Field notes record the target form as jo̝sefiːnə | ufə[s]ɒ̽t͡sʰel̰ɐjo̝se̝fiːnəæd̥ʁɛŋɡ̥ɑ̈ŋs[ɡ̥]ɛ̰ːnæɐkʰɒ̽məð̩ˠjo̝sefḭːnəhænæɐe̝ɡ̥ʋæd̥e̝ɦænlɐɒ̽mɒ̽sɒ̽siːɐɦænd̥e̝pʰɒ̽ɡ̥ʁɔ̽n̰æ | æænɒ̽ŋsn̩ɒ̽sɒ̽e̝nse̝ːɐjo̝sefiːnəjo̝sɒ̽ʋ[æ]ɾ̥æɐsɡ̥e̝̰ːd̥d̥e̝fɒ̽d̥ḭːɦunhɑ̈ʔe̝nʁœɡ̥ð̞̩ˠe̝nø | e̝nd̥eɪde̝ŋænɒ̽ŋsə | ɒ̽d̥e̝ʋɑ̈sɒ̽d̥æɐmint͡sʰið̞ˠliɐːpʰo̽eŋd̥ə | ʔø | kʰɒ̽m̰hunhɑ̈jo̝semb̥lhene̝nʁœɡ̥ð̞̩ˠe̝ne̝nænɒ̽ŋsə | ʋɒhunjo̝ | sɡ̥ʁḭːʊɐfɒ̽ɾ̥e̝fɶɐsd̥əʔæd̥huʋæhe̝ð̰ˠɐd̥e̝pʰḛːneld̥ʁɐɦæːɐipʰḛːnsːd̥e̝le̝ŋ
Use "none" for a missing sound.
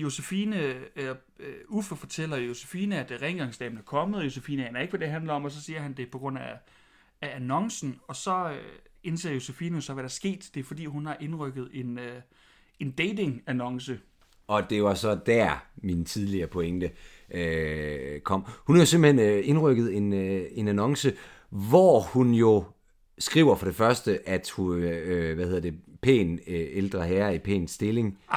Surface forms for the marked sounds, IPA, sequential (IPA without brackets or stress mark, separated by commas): f, d̥, æ